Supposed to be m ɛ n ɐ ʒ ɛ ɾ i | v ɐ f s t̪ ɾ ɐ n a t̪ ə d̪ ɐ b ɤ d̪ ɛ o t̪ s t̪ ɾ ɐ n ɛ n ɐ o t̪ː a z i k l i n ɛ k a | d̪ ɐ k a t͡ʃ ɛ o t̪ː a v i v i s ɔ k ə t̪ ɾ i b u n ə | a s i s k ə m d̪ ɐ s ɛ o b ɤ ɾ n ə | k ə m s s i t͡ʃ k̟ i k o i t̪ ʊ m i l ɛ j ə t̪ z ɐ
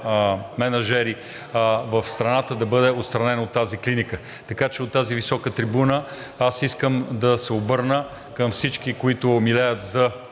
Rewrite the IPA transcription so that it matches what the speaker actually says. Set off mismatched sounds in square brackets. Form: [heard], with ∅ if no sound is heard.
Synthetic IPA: m ɛ n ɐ ʒ ɛ ɾ i | v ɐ f s t̪ ɾ ɐ n a t̪ ə d̪ ɐ b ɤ d̪ ɛ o t̪ s t̪ ɾ ɐ n ɛ n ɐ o t̪ː a z i k l i n [i] k [ə] | [t̪] ɐ k a t͡ʃ ɛ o t̪ː a [z] i v i s ɔ k ə t̪ ɾ i b u n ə | a s i s k ə m d̪ ɐ s ɛ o b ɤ ɾ n ə | k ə m [f] s i t͡ʃ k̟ i k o i t̪ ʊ m i l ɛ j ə t̪ z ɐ